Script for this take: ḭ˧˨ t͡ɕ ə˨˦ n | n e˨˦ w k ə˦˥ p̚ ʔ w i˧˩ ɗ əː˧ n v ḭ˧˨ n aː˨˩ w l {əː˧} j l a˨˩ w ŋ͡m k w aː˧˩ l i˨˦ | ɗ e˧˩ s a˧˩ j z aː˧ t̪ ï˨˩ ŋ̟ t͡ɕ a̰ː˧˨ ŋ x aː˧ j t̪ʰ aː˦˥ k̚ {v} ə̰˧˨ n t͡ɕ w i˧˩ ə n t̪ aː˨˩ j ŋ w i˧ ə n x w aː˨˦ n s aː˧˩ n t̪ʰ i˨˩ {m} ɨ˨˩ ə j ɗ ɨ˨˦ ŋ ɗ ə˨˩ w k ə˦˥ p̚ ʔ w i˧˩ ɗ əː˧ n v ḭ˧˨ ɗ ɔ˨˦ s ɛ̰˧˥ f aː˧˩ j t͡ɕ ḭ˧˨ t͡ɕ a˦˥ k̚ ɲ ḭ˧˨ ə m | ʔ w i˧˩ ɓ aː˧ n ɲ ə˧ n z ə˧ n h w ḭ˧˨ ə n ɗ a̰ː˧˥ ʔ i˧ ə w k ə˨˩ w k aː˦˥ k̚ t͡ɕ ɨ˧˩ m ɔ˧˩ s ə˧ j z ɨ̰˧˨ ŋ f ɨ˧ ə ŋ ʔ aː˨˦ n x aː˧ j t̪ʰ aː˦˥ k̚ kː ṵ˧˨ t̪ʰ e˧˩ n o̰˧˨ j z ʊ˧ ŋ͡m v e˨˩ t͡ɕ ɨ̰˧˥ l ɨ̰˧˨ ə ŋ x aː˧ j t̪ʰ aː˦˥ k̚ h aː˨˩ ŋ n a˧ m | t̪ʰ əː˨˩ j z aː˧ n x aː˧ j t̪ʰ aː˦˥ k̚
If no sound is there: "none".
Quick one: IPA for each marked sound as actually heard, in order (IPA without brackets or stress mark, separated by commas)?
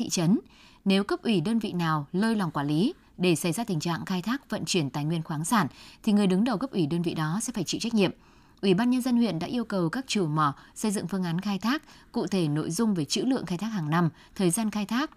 əː˧, v, ŋ